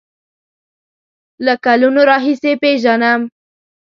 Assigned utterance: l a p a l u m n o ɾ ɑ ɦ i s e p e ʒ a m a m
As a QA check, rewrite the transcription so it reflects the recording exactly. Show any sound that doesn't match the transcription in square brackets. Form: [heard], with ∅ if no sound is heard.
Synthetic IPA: l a [k] a l u [∅] n o ɾ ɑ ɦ i s e p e ʒ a [n] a m